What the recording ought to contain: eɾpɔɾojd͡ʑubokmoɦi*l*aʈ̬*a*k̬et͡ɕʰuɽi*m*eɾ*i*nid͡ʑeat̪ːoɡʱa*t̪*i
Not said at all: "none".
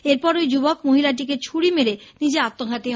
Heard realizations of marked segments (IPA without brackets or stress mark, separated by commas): l, i, m, e, t̪